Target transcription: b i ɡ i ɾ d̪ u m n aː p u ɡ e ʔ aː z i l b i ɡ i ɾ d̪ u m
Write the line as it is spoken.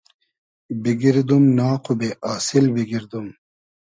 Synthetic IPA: b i ɡ i ɾ d̪ u m n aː q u b e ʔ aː s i l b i ɡ i ɾ d̪ u m